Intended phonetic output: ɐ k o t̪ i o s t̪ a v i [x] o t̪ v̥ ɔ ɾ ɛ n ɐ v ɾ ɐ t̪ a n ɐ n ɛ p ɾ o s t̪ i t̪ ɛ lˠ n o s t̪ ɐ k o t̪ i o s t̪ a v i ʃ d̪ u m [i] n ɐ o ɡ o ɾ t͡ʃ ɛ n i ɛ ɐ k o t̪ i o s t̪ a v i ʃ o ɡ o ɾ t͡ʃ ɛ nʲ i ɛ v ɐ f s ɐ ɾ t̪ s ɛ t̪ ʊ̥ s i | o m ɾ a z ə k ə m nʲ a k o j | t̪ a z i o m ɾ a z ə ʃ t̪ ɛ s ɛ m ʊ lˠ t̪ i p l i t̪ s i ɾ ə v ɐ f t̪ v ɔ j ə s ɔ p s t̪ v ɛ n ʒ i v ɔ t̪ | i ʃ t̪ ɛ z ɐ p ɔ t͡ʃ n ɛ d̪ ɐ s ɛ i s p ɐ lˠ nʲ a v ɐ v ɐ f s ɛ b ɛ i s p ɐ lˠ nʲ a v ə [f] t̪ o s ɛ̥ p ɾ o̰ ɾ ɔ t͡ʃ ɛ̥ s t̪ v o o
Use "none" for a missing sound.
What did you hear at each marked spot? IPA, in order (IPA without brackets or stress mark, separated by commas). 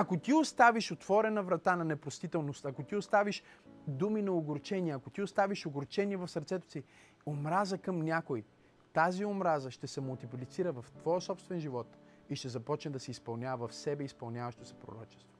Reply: ʃ, i, ʃ